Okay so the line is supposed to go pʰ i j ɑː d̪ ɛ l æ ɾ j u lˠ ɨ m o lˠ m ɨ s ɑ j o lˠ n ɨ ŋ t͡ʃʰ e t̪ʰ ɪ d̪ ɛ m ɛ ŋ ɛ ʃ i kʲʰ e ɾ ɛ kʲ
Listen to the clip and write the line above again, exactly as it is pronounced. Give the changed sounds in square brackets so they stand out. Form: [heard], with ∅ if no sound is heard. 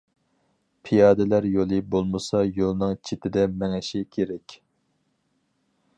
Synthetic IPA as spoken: pʰ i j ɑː d̪ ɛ l æ ɾ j [o] lˠ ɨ [b] o lˠ m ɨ s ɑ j o lˠ n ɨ ŋ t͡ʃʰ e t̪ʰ ɪ d̪ ɛ m ɛ ŋ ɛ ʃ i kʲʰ e ɾ ɛ kʲ